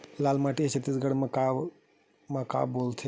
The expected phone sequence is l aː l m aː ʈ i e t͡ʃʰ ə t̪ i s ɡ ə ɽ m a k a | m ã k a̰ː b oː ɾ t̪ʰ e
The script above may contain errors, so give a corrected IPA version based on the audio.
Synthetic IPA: l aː l m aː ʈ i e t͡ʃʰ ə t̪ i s ɡ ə ɽ m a k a | m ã k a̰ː b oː l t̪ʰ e